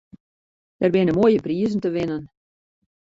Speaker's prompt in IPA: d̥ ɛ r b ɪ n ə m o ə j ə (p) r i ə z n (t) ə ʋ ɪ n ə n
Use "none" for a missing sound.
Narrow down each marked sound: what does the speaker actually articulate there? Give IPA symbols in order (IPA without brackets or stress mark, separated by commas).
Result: p, t